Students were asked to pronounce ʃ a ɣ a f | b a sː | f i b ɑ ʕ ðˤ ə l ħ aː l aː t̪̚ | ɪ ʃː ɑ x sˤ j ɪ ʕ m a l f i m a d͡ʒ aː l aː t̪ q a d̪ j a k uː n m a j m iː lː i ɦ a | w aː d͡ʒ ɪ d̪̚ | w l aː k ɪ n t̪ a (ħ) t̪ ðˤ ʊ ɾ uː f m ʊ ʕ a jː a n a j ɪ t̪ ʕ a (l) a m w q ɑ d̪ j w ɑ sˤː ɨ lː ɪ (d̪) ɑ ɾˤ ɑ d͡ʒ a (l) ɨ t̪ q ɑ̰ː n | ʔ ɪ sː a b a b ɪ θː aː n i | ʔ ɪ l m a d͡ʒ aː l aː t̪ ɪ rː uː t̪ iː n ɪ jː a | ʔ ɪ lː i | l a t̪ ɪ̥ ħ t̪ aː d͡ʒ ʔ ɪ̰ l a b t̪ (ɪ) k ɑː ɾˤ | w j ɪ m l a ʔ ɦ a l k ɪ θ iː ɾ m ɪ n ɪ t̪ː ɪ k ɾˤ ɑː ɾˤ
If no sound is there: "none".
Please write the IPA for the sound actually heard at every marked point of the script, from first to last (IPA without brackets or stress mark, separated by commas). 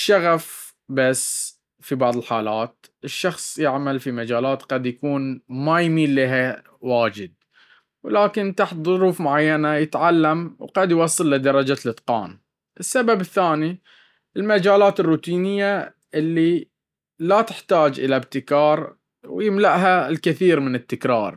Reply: ħ, lː, d̪, l, ɪ